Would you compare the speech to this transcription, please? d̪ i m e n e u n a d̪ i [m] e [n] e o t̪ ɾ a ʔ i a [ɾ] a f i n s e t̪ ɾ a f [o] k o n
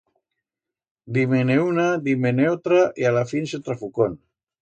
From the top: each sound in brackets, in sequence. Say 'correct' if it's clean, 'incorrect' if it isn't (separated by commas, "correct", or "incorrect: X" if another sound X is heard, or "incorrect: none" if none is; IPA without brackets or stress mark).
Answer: correct, correct, incorrect: l, incorrect: u